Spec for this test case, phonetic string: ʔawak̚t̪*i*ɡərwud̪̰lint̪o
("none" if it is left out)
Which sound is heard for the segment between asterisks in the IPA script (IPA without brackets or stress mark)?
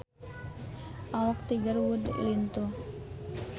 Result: i